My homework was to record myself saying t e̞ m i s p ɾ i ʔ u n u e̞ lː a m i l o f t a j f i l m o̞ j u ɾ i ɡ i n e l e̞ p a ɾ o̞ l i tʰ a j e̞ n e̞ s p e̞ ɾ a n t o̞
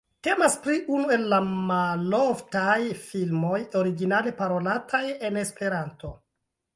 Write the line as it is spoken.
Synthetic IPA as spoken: t e̞ m a s p ɾ i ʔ u n u e̞ lː a m a l o f t a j f i l m o̞ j o ɾ i ɡ i n a l e̞ p a ɾ o̞ l a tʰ a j e̞ n e̞ s p e̞ ɾ a n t o̞

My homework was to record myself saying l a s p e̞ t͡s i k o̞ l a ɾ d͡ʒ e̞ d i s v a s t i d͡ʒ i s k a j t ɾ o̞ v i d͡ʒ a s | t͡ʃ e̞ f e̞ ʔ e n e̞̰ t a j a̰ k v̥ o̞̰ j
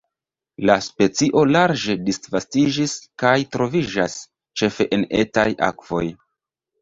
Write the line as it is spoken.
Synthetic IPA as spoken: l a s p e̞ t͡s i ʔ o̞ l a ɾ d͡ʒ e̞ d i s v a s t i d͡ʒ i s k a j t ɾ o̞ v i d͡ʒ a s | t͡ʃ e̞ f e̞ ʔ e n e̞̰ t a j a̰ k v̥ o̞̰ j

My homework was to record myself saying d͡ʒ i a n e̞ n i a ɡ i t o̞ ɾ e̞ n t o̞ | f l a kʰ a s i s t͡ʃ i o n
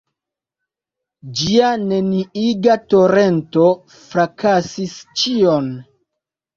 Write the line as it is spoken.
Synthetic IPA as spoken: d͡ʒ i a n e̞ n i i ɡ a t o̞ ɾ e̞ n t o̞ | f ɾ a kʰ a s i s t͡ʃ i o n

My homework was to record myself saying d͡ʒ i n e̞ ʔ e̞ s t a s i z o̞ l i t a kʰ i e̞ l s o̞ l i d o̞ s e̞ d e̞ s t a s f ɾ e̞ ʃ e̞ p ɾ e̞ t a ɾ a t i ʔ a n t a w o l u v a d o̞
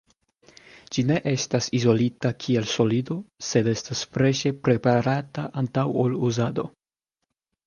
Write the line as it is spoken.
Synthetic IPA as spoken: d͡ʒ i n e̞ ʔ e̞ s t a s i z o̞ l i t a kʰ i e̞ l s o̞ l i d o̞ s e̞ d e̞ s t a s f ɾ e̞ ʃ e̞ p ɾ e̞ p a ɾ a t a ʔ a n t a w o l u z a d o̞

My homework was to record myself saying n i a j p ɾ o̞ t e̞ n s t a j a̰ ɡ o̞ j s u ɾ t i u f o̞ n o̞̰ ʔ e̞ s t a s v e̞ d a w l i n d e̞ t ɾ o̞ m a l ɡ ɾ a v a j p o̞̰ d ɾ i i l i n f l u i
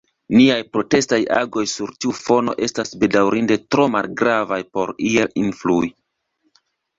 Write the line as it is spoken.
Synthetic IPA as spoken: n i a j p ɾ o̞ t e̞ s t a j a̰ ɡ o̞ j s u ɾ t i u f o̞ n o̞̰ ʔ e̞ s t a s b e̞ d a w ɾ i n d e̞ t ɾ o̞ m a l ɡ ɾ a v a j p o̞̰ ɾ i e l i n f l u i

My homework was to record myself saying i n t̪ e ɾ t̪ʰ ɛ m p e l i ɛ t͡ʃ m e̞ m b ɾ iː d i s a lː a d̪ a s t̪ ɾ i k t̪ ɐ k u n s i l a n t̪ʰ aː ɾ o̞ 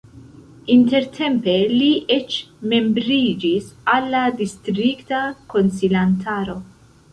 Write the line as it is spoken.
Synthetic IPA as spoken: i n t̪ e ɾ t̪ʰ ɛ m p e l i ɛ t͡ʃ m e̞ m b ɾ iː d͡ʒ i s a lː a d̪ i s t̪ ɾ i k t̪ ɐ k o n s i l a n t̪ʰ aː ɾ o̞

